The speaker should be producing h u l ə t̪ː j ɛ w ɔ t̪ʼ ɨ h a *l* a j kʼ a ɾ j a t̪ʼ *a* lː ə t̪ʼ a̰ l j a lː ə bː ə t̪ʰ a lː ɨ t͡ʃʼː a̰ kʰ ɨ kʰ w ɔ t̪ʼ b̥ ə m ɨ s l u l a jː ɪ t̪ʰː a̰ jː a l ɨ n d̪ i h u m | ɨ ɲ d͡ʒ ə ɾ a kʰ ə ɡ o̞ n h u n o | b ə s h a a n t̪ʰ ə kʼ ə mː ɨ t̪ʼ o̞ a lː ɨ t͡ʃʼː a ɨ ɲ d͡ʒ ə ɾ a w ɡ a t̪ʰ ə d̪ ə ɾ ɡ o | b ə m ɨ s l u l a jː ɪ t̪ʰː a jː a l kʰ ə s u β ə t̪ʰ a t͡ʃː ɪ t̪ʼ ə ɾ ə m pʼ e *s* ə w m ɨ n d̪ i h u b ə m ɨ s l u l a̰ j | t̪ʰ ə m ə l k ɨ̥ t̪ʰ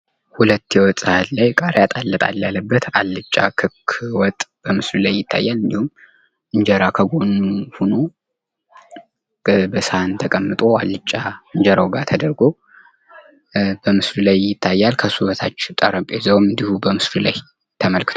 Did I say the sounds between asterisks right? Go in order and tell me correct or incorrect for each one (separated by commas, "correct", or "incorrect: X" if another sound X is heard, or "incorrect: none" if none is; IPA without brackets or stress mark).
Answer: correct, correct, incorrect: z